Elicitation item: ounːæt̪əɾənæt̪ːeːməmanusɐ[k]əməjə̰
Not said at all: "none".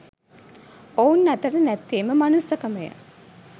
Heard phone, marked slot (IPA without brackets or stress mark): k